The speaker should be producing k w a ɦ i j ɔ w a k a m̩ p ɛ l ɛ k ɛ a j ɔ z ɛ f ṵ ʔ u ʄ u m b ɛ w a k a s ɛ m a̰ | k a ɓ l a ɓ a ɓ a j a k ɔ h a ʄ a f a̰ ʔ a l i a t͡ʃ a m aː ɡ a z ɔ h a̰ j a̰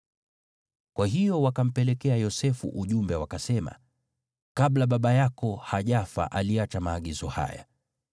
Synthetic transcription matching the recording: k w a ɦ i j ɔ w a k a m̩ p ɛ l ɛ k ɛ a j ɔ s ɛ f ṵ ʔ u ʄ u m b ɛ w a k a s ɛ m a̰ | k a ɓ l a ɓ a ɓ a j a k ɔ h a ʄ a f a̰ ʔ a l i a t͡ʃ a m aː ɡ i z ɔ h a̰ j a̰

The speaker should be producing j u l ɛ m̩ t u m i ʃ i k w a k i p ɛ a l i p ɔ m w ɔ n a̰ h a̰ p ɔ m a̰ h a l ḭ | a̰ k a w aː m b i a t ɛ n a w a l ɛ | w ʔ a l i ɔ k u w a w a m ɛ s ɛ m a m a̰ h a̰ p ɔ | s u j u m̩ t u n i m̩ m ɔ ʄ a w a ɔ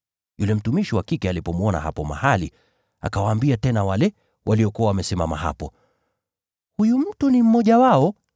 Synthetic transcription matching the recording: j u l ɛ m̩ t u m i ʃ i w a k i k ɛ a l i p ɔ m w ɔ n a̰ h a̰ p ɔ m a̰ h a l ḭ | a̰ k a w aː m b i a t ɛ n a w a l ɛ | w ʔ a l i ɔ k u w a w a m ɛ s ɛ m a m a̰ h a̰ p ɔ | h u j u m̩ t u n i m̩ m ɔ ʄ a w a ɔ

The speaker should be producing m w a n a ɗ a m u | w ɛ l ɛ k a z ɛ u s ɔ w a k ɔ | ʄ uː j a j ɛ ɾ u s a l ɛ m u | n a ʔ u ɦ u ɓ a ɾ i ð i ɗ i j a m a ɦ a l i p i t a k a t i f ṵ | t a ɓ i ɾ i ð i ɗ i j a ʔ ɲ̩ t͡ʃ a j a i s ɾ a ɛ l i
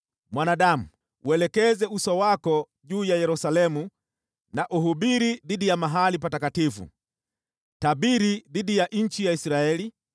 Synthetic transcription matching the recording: m w a n a ɗ a m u | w ɛ l ɛ k ɛ z ɛ u s ɔ w a k ɔ | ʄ uː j a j ɛ ɾ u s a l ɛ m u | n a ʔ u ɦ u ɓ i ɾ i ð i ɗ i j a m a ɦ a l i p a t a k a t i f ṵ | t a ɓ i ɾ i ð i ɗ i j a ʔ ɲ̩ t͡ʃ i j a i s ɾ a ɛ l i

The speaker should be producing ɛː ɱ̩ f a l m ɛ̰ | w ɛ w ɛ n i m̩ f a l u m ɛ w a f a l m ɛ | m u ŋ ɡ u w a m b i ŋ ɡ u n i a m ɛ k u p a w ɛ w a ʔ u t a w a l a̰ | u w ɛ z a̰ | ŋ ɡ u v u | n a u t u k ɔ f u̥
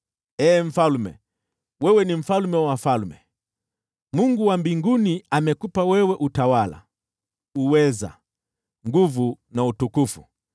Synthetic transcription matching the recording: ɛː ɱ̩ f a l m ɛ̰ | w ɛ w ɛ n i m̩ f a l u m ɛ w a f a l m ɛ | m u ŋ ɡ u w a m b i ŋ ɡ u n i a m ɛ k u p a w ɛ w ɛ ʔ u t a w a l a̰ | u w ɛ z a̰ | ŋ ɡ u v u | n a u t u k u f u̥

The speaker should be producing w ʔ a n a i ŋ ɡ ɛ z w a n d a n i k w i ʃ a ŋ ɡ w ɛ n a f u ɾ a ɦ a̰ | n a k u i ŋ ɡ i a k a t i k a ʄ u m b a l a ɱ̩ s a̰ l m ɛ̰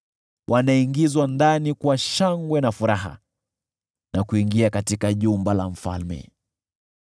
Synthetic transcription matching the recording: w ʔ a n a i ŋ ɡ i z w a n d a n i k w a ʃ a ŋ ɡ w ɛ n a f u ɾ a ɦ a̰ | n a k u i ŋ ɡ i a k a t i k a ʄ u m b a l a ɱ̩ f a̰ l m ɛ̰

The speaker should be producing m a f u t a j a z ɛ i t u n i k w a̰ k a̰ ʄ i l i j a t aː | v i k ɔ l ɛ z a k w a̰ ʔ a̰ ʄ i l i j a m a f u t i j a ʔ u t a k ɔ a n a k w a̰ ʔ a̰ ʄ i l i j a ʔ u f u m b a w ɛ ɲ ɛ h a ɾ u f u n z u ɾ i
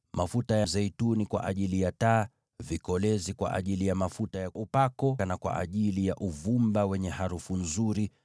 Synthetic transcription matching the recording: m a f u t a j a z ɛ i t u n i k w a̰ ʔ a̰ ʄ i l i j a t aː | v i k ɔ l ɛ z i k w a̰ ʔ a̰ ʄ i l i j a m a f u t a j a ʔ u p a k ɔ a n a k w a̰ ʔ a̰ ʄ i l i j a ʔ u v u m b a w ɛ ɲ ɛ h a ɾ u f u n z u ɾ i

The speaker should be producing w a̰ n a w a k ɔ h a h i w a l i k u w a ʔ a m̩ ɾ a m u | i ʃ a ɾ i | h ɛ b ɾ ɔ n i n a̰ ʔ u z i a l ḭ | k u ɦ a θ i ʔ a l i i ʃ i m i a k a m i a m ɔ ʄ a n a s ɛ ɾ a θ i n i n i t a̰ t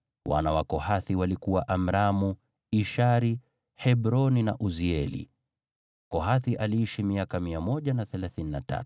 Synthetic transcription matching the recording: w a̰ n a w a k ɔ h a θ i w a l i k u w a ʔ a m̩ ɾ a m u | i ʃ a ɾ i | h ɛ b ɾ ɔ n i n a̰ ʔ u z i ɛ l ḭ | k ɔ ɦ a θ i ʔ a l i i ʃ i m i a k a m i a m ɔ ʄ a n a θ ɛ l a θ i n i n a t a̰ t

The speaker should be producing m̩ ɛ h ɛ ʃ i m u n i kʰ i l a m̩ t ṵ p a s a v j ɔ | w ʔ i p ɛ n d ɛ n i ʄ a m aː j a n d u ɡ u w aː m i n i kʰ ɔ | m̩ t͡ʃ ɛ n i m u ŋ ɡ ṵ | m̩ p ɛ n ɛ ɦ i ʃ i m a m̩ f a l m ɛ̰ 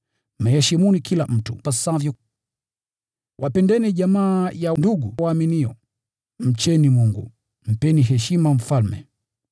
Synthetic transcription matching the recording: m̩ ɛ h ɛ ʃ i m u n i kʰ i l a m̩ t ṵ p a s a v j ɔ | w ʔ a p ɛ n d ɛ n i ʄ a m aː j a n d u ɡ u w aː m i n i ɔ | m̩ t͡ʃ ɛ n i m u ŋ ɡ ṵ | m̩ p ɛ n i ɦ ɛ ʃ i m a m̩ f a l m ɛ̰

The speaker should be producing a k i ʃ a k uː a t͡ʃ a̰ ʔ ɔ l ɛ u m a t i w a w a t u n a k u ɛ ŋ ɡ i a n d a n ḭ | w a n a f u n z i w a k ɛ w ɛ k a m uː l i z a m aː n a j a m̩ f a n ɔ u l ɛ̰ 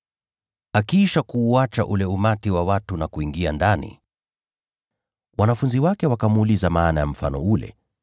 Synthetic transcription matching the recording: a k i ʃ a k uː a t͡ʃ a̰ ʔ u l ɛ u m a t i w a w a t u n a k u i ŋ ɡ i a n d a n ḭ | w a n a f u n z i w a k ɛ w a k a m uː l i z a m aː n a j a m̩ f a n ɔ u l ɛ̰

